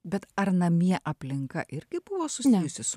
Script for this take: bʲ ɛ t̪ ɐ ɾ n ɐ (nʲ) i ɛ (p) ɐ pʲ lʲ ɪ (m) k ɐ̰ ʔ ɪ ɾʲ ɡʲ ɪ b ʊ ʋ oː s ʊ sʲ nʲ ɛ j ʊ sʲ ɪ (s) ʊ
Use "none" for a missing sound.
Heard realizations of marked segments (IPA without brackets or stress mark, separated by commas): mʲ, ʔ, ŋ, s